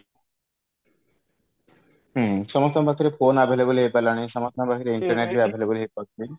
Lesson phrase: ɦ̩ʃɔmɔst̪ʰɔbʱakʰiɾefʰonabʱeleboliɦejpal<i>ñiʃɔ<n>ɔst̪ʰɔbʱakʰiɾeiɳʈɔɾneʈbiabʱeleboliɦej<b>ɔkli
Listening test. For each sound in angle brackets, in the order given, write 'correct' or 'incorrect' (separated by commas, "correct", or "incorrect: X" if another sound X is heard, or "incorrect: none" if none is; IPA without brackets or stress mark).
incorrect: a, incorrect: m, incorrect: p